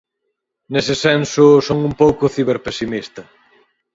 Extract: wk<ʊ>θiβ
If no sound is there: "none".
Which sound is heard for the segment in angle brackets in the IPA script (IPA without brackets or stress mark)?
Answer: ʊ